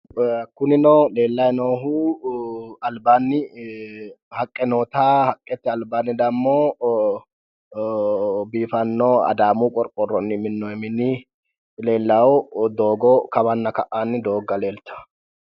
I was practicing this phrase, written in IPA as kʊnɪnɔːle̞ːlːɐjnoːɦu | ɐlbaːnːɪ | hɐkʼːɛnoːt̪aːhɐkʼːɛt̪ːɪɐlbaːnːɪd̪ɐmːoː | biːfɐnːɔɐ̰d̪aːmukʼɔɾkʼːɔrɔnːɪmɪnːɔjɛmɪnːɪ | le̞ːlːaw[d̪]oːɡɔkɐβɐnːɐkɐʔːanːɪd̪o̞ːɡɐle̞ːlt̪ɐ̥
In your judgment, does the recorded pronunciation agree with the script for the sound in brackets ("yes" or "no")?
yes